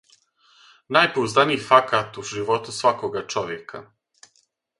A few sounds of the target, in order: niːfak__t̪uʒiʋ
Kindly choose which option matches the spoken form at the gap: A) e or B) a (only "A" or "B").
B